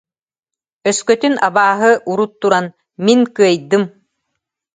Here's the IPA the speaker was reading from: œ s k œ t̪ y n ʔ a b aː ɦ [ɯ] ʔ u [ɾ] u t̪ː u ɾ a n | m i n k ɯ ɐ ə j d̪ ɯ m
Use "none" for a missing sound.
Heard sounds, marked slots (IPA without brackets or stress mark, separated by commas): ɯ, ɾ